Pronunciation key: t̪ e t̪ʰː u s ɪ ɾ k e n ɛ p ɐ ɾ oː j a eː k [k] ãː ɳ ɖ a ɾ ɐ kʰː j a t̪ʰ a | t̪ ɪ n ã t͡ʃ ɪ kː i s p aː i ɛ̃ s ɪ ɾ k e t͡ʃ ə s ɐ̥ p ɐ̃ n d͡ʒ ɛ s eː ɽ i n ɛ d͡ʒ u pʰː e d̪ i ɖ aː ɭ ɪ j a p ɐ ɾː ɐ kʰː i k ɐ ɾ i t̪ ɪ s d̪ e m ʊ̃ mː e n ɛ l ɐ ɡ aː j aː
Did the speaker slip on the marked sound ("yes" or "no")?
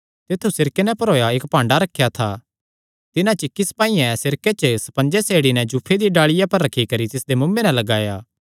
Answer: yes